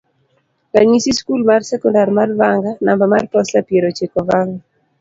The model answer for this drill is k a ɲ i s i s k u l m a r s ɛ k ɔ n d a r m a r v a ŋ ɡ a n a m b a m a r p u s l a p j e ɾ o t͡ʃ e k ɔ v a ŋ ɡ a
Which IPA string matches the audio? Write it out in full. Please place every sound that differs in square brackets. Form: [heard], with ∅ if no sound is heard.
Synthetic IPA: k a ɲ i s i s k u l m a r s ɛ k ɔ n d a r m a r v a ŋ ɡ a n a m b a m a r p [ɔ] s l a p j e ɾ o t͡ʃ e k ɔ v a ŋ ɡ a